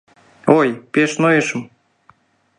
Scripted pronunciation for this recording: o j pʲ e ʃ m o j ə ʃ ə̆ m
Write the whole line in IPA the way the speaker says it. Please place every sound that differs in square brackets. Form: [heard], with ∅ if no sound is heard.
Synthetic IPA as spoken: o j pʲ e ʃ [n] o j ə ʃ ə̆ m